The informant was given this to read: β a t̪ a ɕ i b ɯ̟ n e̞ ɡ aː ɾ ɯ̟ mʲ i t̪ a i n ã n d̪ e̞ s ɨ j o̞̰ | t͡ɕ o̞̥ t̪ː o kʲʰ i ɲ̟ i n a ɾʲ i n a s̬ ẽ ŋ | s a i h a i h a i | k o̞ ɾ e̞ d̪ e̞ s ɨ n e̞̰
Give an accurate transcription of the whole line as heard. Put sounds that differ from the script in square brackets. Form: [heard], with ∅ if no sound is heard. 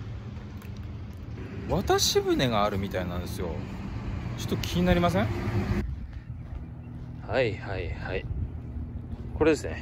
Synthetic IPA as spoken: β a t̪ a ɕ i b ɯ̟ n e̞ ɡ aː ɾ ɯ̟ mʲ i t̪ a i n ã n d̪ e̞ s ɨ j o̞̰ | t͡ɕ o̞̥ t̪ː o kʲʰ i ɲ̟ i n a ɾʲ i [m] a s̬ ẽ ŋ | [h] a i h a i h a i | k o̞ ɾ e̞ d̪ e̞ s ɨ n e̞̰